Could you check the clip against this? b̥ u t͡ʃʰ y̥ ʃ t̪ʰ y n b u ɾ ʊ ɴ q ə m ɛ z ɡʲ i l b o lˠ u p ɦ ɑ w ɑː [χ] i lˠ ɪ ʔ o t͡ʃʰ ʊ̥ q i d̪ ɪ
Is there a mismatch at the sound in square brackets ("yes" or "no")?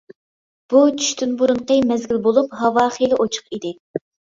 no